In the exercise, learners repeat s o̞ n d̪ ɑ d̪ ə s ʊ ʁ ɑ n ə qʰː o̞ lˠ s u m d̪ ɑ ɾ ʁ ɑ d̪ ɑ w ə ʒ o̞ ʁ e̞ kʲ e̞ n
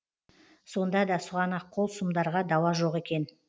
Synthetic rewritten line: s o̞ n d̪ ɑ d̪ ɑ s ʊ ʁ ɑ n ɑ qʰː o̞ lˠ s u m d̪ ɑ ɾ ʁ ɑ d̪ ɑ w ɑ ʒ o̞ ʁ e̞ kʲ e̞ n